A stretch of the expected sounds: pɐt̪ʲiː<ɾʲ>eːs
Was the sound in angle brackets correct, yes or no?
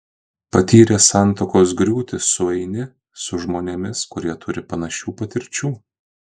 yes